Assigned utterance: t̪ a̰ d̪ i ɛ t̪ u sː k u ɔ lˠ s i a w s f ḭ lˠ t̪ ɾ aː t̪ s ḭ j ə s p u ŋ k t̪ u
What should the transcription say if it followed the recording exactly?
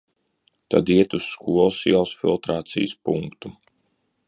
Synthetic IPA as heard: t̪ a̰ d̪ i ɛ t̪ u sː k u ɔ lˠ s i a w s f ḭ lˠ t̪ ɾ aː t̪ s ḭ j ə s p u ŋ k t̪ u